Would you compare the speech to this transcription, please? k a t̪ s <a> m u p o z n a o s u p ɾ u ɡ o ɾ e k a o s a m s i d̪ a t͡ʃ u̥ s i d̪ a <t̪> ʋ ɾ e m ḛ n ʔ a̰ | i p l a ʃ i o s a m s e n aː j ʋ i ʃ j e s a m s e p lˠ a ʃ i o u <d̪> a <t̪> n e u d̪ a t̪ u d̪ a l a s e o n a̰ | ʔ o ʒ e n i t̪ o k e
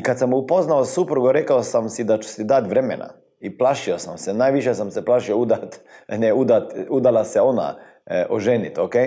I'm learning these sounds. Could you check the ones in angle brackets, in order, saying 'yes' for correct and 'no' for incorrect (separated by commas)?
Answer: yes, yes, yes, yes